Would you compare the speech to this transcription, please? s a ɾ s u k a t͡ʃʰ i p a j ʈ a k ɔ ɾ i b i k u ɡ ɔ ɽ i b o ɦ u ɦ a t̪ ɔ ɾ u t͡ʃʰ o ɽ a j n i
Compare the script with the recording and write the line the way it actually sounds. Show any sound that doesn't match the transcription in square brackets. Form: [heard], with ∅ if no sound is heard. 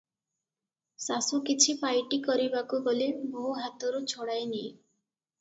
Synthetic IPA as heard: s a [∅] s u k [i] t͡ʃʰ i p a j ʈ [i] k ɔ ɾ i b [a] k u ɡ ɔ [l] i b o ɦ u ɦ a t̪ ɔ ɾ u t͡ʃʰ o ɽ a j n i